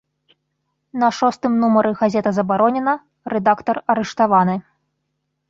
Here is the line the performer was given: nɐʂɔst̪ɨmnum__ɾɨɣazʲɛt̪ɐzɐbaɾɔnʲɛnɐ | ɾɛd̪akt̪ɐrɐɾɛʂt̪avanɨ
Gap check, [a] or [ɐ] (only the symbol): ɐ